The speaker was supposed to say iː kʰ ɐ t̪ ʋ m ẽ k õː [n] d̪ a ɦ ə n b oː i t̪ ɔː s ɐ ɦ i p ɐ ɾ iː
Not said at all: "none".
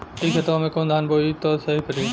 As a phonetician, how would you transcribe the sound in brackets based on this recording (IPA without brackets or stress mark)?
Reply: n